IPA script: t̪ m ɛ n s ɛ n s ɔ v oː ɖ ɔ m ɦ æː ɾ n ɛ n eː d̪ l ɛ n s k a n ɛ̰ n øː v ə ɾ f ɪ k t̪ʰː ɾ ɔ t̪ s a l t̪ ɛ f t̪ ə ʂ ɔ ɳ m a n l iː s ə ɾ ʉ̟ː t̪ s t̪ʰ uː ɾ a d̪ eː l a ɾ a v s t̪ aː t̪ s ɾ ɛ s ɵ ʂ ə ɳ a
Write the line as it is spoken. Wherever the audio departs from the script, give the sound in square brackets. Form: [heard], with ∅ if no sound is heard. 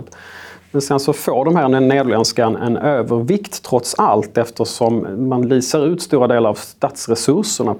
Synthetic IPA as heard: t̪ m ɛ n s ɛ n s ɔ [f] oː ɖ ɔ m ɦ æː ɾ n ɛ n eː d̪ l ɛ n s k a n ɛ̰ n øː v ə ɾ [v] ɪ k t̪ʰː ɾ ɔ t̪ s a l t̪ ɛ f t̪ ə ʂ ɔ [m] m a n l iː s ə ɾ ʉ̟ː t̪ s [t̪] uː ɾ a d̪ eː l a ɾ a v s t̪ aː t̪ s ɾ ɛ s ɵ ʂ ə ɳ a